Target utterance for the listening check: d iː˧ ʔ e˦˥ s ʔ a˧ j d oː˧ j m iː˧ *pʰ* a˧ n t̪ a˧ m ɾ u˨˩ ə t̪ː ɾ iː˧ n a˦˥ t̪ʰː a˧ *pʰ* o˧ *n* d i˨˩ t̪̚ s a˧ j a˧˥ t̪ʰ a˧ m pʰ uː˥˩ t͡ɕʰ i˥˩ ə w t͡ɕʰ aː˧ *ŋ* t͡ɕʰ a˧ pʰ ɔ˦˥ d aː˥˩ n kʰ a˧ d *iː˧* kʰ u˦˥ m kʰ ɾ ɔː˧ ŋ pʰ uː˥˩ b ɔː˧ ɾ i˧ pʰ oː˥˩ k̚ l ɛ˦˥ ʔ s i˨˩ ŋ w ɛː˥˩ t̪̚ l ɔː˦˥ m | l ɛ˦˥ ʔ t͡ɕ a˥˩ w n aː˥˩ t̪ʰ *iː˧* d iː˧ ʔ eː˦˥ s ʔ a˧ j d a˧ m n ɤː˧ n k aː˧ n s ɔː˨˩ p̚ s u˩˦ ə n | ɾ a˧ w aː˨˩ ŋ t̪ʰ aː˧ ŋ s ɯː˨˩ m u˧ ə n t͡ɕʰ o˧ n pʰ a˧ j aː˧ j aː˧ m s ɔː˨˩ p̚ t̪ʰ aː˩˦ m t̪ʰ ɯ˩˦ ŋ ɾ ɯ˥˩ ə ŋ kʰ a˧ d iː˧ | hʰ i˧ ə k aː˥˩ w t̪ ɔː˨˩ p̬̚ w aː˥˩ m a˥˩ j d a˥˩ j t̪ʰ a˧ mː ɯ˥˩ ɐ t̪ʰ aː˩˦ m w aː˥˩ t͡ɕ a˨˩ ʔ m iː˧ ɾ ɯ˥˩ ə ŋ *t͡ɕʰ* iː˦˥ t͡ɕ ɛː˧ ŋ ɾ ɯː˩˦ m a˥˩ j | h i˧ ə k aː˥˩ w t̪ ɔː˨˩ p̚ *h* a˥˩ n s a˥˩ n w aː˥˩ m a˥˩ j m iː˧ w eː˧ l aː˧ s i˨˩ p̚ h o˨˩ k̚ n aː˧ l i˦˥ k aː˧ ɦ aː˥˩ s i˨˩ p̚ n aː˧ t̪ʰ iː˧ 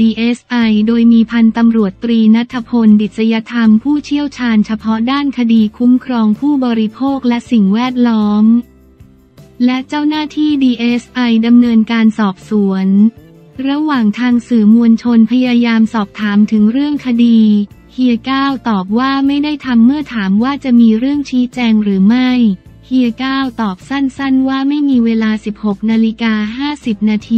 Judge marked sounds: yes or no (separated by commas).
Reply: yes, yes, yes, no, yes, no, yes, no